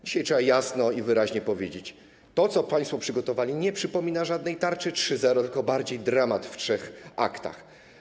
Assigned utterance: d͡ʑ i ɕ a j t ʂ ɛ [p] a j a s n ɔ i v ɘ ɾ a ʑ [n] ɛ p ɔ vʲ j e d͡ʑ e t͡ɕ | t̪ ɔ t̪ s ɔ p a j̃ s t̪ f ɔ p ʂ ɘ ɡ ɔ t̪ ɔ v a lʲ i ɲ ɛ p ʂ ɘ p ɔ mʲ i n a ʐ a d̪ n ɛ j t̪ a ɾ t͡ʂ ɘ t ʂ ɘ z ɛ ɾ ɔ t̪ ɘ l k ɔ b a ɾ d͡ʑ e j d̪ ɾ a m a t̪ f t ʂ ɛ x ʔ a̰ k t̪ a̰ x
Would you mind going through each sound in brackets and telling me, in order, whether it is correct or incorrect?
incorrect: b, incorrect: ɲ

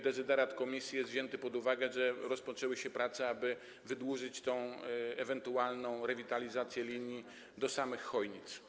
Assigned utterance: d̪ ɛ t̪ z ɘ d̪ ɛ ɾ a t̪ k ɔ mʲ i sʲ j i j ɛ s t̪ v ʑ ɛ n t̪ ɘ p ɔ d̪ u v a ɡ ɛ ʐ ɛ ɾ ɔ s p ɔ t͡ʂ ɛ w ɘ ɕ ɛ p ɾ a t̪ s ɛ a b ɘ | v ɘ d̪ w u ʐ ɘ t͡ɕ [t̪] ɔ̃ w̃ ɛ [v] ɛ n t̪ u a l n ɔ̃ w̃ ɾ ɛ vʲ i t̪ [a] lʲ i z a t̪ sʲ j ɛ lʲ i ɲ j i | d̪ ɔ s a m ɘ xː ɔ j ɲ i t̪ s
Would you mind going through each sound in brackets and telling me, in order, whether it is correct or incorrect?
correct, correct, correct

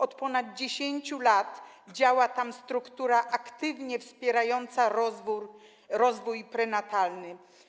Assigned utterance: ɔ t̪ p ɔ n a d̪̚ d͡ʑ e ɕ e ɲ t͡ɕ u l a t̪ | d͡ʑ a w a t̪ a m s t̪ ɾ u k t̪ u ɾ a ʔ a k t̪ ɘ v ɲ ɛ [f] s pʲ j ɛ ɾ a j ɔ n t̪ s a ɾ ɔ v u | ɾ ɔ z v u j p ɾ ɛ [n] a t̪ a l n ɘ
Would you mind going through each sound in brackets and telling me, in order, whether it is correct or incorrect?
correct, correct

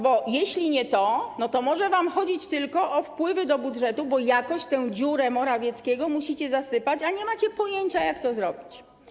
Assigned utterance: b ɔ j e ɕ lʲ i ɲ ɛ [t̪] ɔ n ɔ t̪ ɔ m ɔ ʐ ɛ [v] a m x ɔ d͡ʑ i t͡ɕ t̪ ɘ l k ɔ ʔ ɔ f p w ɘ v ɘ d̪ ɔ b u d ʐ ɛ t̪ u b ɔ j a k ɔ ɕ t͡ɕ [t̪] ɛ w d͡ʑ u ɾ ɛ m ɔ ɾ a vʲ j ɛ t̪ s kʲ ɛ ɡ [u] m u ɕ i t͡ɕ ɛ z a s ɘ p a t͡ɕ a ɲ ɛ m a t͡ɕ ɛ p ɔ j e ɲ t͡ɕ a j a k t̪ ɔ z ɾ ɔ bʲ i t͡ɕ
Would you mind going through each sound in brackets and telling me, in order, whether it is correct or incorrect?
correct, correct, correct, incorrect: ɔ

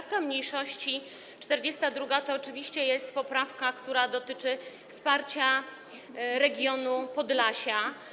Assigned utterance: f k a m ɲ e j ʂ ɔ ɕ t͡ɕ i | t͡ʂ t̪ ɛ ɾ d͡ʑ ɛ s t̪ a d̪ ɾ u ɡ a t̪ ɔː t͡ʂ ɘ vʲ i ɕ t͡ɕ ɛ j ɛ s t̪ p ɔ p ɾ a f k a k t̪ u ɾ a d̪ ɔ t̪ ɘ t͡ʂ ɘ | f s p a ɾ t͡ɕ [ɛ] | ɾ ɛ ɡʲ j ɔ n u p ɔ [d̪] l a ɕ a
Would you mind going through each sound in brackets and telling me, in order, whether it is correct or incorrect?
incorrect: a, correct

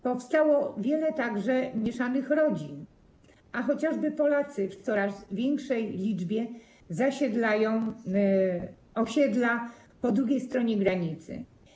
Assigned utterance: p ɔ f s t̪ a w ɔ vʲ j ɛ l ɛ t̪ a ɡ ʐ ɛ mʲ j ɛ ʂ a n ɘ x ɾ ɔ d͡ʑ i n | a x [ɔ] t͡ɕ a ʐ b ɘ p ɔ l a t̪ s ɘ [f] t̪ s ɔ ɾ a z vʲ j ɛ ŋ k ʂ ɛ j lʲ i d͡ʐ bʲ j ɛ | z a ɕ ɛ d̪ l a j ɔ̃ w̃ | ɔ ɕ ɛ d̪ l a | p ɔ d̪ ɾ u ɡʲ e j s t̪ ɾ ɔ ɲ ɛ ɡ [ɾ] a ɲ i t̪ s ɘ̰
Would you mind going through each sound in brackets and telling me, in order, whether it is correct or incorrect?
correct, correct, correct

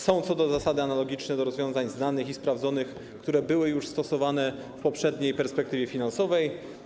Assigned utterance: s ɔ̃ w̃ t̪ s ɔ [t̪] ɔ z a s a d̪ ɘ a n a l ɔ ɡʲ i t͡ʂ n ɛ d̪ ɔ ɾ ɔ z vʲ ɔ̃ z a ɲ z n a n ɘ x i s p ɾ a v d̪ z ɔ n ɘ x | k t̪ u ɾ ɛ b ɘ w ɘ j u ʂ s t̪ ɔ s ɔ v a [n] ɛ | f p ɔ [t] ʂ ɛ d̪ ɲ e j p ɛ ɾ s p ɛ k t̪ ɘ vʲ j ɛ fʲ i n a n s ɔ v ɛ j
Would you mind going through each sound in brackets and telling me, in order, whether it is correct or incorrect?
incorrect: d̪, correct, incorrect: p

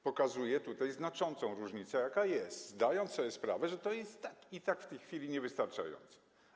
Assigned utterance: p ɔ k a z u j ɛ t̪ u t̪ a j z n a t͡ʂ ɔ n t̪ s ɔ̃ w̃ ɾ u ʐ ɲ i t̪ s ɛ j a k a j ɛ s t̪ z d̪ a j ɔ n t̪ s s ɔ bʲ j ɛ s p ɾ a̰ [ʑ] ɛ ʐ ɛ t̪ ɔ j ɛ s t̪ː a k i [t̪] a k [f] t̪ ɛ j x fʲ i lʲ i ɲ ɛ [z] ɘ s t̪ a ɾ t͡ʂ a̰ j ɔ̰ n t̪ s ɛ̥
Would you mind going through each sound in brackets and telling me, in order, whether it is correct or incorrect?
incorrect: v, correct, correct, incorrect: v

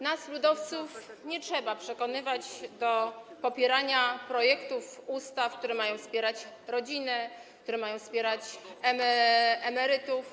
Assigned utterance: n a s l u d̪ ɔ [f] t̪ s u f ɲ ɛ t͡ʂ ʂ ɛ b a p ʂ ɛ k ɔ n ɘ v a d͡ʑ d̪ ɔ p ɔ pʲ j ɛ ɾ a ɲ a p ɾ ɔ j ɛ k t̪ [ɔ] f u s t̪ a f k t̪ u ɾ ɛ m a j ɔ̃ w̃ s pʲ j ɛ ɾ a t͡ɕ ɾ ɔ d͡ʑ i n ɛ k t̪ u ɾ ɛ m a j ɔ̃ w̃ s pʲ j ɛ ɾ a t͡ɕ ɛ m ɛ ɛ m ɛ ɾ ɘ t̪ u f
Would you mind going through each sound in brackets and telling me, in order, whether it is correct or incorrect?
correct, incorrect: u

